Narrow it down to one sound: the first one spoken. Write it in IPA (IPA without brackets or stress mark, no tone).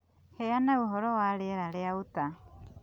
h